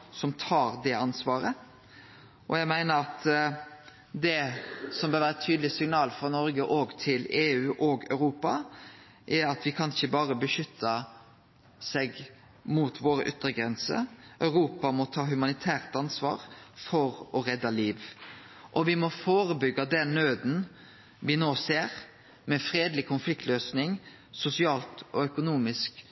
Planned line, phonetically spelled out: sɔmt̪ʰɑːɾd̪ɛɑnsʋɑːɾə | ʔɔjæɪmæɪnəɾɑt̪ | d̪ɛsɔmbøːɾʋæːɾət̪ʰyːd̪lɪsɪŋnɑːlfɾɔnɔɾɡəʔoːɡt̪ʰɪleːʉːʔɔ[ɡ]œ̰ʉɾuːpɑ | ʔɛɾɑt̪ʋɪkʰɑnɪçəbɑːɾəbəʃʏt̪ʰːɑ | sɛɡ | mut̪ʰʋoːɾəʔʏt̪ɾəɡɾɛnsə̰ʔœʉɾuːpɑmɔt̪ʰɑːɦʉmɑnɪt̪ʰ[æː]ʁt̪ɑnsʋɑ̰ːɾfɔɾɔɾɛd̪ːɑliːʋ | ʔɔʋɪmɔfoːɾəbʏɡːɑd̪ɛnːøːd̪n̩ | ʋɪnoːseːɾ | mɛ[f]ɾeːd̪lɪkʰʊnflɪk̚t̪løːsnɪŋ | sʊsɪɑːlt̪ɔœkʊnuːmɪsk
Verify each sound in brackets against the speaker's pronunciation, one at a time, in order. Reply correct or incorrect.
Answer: correct, correct, correct

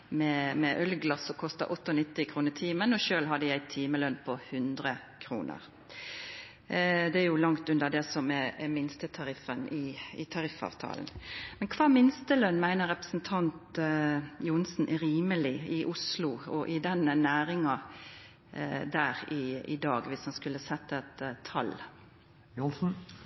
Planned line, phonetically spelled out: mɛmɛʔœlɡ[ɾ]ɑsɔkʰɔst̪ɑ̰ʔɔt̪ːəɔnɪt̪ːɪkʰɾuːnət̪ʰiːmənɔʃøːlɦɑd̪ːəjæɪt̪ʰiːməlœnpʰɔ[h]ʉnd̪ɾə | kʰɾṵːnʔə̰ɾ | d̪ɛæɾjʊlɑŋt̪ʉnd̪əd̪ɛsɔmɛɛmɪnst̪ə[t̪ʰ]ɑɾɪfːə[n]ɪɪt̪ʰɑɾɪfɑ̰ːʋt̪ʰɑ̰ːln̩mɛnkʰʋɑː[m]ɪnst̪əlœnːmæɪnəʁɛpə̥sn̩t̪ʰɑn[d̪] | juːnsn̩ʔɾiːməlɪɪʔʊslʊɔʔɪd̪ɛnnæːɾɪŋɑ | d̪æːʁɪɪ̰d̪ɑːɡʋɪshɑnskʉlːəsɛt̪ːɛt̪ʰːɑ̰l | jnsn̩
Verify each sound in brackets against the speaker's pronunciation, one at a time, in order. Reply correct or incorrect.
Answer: incorrect: l, correct, correct, correct, correct, incorrect: t̪

